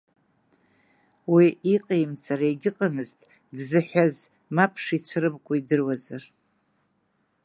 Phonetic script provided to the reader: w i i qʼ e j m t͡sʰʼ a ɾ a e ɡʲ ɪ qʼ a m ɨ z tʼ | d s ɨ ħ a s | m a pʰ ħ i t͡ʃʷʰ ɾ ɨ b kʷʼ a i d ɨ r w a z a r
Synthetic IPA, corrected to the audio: w i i qʼ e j m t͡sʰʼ a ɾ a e ɡʲ ɪ qʼ a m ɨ z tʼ | d z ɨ ħ a z | m a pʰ ʂ i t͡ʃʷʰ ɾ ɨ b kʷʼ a i d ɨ r w a z a r